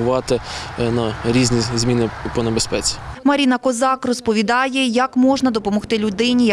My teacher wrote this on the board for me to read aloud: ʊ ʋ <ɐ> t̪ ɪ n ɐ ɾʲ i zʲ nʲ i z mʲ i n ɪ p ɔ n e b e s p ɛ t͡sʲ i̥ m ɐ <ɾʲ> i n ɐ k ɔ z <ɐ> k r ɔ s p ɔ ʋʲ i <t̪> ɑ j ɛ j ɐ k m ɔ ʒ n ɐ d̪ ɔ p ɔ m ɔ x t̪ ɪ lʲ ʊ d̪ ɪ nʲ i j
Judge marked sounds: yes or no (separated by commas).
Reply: no, yes, no, no